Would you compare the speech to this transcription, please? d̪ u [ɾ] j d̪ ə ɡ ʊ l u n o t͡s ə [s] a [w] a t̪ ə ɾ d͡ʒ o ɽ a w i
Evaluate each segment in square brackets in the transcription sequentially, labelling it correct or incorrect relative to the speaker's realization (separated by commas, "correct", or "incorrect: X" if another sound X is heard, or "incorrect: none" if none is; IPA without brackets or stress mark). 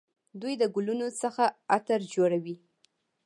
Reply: incorrect: none, incorrect: x, incorrect: none